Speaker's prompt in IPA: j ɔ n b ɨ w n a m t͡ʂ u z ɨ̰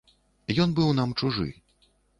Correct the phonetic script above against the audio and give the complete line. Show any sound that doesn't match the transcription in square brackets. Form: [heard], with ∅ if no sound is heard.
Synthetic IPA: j ɔ n b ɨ w n a m t͡ʂ u [ʐ] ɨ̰

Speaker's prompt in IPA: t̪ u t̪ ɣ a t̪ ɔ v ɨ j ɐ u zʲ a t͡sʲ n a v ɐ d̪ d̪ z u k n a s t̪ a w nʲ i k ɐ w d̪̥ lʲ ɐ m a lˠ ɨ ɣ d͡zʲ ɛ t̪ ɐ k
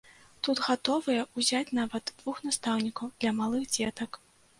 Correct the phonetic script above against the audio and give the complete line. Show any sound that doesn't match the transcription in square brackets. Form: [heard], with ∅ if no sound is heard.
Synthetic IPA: t̪ u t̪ ɣ a t̪ ɔ v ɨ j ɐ u zʲ a t͡sʲ n a v ɐ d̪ d̪ [v] u [x] n a s t̪ a w nʲ i k ɐ w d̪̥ lʲ ɐ m a lˠ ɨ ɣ d͡zʲ ɛ t̪ ɐ k

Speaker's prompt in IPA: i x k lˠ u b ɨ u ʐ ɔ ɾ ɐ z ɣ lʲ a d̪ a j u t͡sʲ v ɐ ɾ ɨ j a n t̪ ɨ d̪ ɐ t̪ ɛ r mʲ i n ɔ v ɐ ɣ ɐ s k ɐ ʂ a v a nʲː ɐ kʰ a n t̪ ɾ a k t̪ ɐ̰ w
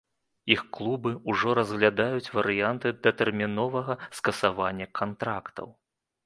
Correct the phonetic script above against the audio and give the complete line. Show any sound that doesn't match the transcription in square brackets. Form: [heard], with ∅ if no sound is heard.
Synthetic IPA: i x k lˠ u b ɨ u ʐ ɔ ɾ ɐ z ɣ lʲ a d̪ a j u t͡sʲ v ɐ ɾ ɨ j a n t̪ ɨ d̪ ɐ t̪ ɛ r mʲ i n ɔ v ɐ ɣ ɐ s k ɐ [s] a v a nʲː ɐ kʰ a n t̪ ɾ a k t̪ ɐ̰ w

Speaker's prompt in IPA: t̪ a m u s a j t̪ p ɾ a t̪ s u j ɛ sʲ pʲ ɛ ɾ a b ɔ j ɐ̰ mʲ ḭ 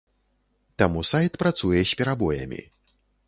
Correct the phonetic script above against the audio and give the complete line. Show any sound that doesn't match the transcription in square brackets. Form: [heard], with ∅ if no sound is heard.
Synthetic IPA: t̪ a m u s a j t̪ p ɾ a t̪ s u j ɛ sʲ pʲ ɛ ɾ a b ɔ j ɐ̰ mʲ ḭ

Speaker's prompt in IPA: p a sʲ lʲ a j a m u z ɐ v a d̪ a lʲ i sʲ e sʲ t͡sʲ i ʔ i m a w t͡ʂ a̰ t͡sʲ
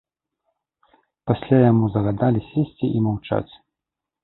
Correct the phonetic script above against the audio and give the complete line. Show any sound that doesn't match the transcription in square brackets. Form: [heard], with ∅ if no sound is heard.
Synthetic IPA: p a sʲ lʲ a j a m u z ɐ [ɣ] a d̪ a lʲ i sʲ e sʲ t͡sʲ i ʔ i m a w t͡ʂ a̰ t͡sʲ

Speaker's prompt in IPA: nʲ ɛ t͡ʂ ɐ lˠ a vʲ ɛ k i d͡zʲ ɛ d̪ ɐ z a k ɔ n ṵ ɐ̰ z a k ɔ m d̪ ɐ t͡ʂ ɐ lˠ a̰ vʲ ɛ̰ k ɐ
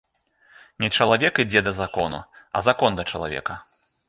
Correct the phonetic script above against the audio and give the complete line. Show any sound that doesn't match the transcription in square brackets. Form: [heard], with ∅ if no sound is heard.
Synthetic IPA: nʲ ɛ t͡ʂ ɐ lˠ a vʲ ɛ k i d͡zʲ ɛ d̪ ɐ z a k ɔ n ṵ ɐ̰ z a k ɔ [n] d̪ ɐ t͡ʂ ɐ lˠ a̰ vʲ ɛ̰ k ɐ

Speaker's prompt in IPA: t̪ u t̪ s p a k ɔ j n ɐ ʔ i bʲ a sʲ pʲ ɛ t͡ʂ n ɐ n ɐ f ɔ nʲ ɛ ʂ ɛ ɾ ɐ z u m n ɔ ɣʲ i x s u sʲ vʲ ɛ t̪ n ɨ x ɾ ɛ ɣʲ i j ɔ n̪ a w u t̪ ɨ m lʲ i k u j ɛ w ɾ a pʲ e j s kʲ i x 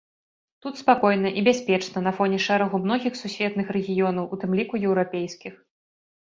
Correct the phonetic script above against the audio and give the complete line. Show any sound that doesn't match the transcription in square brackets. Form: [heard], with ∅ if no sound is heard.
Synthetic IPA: t̪ u t̪ s p a k ɔ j n ɐ ʔ i bʲ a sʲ pʲ ɛ t͡ʂ n ɐ n ɐ f ɔ nʲ ɛ ʂ ɛ ɾ ɐ [ɣ] u m n ɔ ɣʲ i x s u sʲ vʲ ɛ t̪ n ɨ x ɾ ɛ ɣʲ i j ɔ n̪ [ɐ] w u t̪ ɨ m lʲ i k u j ɛ w ɾ a pʲ e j s kʲ i x

